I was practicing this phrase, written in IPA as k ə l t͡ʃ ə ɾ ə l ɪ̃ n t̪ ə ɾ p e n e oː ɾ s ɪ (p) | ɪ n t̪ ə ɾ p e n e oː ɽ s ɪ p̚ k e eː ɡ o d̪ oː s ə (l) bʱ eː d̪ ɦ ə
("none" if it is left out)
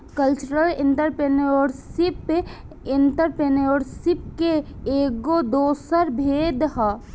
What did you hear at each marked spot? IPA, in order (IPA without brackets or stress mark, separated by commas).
p, ɾ